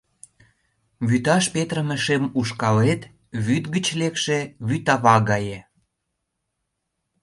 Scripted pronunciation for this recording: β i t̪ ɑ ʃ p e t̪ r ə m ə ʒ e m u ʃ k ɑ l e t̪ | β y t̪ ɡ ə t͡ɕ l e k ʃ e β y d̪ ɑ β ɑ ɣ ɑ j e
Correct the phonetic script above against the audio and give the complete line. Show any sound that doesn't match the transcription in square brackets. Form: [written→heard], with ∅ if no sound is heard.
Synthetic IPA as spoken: β [i→y] t̪ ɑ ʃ p e t̪ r ə m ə [ʒ→ʃ] e m u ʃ k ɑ l e t̪ | β y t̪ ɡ ə t͡ɕ l e k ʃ e β y [d̪→t̪] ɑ β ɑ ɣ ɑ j e